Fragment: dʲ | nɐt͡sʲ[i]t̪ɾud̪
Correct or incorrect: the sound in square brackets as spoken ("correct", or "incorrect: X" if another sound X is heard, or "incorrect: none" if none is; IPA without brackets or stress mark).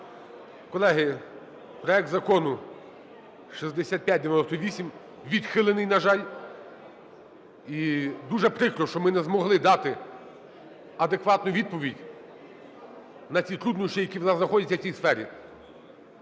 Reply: correct